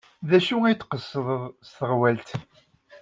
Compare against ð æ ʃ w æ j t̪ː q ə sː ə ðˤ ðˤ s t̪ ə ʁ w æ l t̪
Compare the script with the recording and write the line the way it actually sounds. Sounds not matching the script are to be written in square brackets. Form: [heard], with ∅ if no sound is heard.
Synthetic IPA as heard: ð æ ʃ [u] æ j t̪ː q ə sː ə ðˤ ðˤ s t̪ ə ʁ w æ l t̪

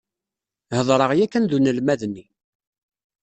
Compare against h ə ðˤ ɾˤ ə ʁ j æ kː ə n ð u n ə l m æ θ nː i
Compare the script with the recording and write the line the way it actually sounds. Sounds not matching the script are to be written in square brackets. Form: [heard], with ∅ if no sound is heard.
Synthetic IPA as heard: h ə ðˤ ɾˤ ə ʁ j æ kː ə n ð u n ə l m æ [ð] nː i

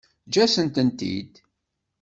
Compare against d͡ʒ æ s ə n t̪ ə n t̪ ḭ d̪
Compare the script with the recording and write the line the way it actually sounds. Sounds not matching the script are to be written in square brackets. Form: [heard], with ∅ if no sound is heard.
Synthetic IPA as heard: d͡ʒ æ s ə n t̪ ə n t̪ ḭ d̪

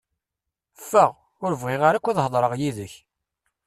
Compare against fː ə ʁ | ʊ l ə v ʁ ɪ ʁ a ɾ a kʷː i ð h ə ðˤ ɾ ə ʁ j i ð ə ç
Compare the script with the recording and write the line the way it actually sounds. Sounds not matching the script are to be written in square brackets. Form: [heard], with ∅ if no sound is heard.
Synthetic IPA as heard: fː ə ʁ | ʊ [ɾ] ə v ʁ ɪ ʁ a ɾ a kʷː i ð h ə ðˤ ɾ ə ʁ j i ð ə ç

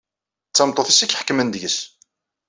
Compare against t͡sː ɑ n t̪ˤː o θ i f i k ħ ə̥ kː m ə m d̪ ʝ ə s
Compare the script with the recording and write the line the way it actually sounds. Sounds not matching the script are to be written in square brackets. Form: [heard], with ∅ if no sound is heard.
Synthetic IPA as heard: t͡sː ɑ [m] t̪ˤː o θ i [s] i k ħ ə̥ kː m ə [n] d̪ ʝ ə s

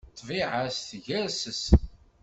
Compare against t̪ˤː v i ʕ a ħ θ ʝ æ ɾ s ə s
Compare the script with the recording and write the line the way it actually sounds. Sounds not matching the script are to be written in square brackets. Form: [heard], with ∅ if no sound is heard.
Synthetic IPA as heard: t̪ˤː v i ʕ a [s] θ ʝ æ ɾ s ə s

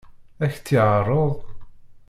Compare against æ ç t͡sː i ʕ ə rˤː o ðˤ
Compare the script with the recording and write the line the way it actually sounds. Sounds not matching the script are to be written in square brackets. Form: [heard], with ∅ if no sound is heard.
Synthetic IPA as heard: æ ç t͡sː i ʕ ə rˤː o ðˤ

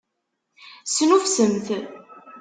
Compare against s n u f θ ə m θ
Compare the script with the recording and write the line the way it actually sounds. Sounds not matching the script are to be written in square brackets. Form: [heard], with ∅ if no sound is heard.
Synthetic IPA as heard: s n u f [s] ə m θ

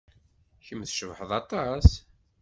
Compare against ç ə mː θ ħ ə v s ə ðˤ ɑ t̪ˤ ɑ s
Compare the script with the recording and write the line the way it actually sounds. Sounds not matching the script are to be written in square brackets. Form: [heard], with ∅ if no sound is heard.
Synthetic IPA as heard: ç ə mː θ [ʃ] ə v [ħ] ə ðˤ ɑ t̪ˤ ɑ s

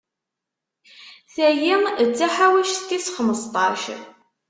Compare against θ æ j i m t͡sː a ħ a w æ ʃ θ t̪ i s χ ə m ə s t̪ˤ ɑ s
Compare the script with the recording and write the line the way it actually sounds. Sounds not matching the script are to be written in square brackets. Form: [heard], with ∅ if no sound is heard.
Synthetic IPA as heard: θ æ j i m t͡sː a ħ a w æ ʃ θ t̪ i s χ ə m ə s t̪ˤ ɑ [ʃ]

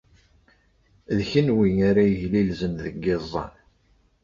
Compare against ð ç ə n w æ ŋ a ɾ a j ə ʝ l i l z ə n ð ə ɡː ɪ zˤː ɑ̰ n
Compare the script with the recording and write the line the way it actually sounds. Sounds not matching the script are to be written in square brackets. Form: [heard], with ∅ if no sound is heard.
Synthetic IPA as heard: ð ç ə n w [i] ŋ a ɾ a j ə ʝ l i l z ə n ð ə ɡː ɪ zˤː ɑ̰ n

